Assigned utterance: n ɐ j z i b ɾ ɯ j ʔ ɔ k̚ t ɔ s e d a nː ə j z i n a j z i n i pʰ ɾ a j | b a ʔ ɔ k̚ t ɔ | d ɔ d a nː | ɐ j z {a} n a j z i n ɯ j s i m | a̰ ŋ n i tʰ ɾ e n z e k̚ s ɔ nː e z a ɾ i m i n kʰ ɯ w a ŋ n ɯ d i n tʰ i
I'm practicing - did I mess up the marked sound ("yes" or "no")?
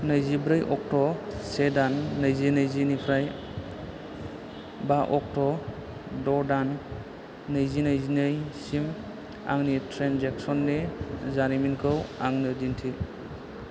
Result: yes